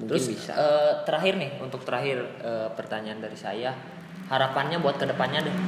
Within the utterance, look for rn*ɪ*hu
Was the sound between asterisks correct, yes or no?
yes